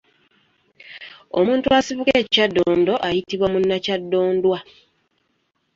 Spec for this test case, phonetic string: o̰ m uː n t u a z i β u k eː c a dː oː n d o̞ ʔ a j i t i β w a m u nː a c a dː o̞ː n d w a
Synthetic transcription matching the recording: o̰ m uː n t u a s i β u k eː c a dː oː n d o̞ ʔ a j i t i β w a m u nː a c a dː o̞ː n d w a

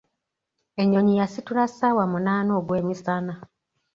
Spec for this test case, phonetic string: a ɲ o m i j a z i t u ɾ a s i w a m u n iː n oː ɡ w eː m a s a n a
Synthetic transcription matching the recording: e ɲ o ɲ i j a s i t u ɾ a s a w a m u n aː n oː ɡ w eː m i s a n a

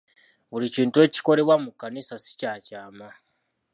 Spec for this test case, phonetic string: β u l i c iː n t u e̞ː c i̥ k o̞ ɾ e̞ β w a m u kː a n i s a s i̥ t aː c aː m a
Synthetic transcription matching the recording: β u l i c iː n t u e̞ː c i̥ k o̞ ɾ e̞ β w a m u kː a n i s a s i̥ c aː c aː m a

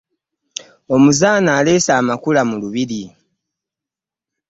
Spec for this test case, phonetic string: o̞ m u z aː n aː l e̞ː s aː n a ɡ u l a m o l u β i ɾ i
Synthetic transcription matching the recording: o̞ m u z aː n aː l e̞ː s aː m a k u l a m u l u β i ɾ i

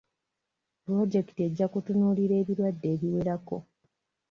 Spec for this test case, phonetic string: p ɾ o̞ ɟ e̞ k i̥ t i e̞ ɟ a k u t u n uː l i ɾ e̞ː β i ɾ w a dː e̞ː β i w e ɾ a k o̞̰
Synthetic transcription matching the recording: p ɾ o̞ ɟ e̞ k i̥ t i e̞ ɟː a k u t u n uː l i ɾ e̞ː β i ɾ w a dː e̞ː β i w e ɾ a k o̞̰

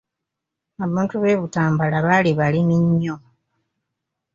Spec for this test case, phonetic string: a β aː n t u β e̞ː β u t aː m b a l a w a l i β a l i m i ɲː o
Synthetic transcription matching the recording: a β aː n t u β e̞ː β u t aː m b a l a β a l i β a l i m i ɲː o

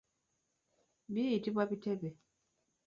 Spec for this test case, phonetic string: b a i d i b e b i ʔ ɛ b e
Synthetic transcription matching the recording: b i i t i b a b i t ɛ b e

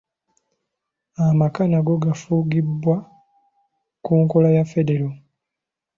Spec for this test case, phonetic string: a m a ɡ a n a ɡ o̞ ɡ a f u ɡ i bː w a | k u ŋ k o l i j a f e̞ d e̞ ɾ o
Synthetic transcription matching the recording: a m a k a n a ɡ o̞ ɡ a f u ɡ i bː w a | k u ŋ k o l a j a f e̞ d e̞ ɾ o

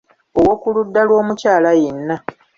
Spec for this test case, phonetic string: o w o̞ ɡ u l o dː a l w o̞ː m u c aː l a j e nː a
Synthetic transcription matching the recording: o w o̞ k u l u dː a l w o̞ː m u c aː l a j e nː a

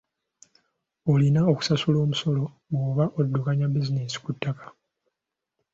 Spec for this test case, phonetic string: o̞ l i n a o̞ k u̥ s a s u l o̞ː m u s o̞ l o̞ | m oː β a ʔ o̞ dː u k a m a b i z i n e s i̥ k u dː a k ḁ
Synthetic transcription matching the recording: o̞ l i n a o̞ k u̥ s a s u l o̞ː m u s o̞ l o̞ | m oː β a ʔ o̞ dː u k a ɲ a b i z i n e s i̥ k u tː a k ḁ

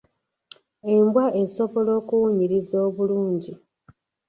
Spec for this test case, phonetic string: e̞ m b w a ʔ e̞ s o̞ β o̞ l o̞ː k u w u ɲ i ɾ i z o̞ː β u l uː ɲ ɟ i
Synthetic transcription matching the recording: e̞ m b w a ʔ e̞ s o̞ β o̞ l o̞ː k u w u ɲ i ɾ i z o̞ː β u l uː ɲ ɟ i

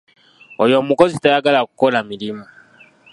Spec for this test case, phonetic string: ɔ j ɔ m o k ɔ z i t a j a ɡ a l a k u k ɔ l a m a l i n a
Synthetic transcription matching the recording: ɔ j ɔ m u k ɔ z i t a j a ɡ a l a k u k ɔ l a m i l i m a

